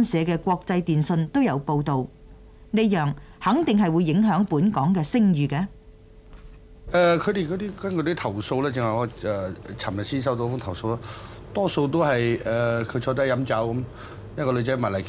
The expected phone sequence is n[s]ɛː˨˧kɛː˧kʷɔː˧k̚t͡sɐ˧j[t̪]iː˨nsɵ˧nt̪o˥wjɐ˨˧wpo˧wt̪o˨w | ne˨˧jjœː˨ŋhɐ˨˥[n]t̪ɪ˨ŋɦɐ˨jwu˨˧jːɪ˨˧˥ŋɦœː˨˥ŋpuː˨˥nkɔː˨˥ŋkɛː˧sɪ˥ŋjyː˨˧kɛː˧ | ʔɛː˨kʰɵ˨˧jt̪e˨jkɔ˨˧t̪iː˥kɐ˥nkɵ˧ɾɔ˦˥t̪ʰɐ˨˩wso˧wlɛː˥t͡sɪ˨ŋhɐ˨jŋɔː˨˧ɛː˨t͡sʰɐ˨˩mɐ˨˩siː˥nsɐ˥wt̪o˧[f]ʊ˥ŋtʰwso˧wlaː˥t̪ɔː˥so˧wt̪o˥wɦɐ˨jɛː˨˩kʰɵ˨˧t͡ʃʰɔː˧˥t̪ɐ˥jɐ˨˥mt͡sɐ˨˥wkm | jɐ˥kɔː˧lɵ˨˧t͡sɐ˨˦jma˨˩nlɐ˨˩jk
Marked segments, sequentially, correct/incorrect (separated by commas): correct, correct, incorrect, correct